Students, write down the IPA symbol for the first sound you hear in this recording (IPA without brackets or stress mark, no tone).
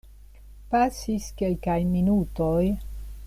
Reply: p